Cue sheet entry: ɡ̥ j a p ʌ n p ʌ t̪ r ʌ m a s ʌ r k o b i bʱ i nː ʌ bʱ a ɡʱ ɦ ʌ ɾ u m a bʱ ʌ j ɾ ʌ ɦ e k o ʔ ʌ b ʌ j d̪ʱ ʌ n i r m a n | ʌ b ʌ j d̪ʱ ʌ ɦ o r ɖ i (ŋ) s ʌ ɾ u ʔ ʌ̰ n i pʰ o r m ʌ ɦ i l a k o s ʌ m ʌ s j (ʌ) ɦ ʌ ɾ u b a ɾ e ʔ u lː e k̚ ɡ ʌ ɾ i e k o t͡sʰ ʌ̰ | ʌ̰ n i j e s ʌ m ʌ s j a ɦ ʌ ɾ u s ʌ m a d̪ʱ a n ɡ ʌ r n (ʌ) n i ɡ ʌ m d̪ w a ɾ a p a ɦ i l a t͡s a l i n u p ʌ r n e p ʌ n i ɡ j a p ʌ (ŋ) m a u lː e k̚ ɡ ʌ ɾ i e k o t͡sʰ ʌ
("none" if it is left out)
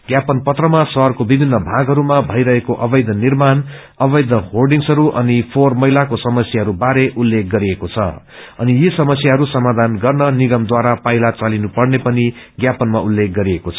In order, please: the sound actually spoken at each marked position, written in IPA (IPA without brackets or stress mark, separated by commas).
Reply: ŋ, a, ʌ, n